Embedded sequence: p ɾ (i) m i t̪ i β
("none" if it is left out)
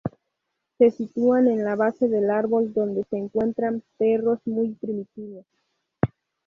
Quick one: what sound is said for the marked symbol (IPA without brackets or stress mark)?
i